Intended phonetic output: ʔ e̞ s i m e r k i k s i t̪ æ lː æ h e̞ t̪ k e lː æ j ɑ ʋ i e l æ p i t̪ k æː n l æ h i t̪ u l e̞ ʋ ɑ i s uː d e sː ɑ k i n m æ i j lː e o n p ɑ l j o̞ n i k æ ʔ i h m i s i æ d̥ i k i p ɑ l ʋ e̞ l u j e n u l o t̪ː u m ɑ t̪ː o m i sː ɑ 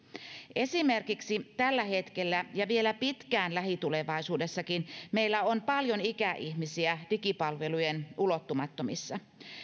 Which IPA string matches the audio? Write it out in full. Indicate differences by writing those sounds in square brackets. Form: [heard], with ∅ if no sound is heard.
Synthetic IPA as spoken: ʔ e̞ s i m e r k i k s i t̪ æ lː æ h e̞ t̪ k e lː æ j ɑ ʋ i e l æ p i t̪ k æː n l æ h i t̪ u l e̞ ʋ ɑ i s uː d e sː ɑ k i n m [e] i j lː [æ] o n p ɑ l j o̞ n i k æ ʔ i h m i s i æ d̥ i k i p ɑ l ʋ e̞ l u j e n u l o t̪ː u m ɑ t̪ː o m i sː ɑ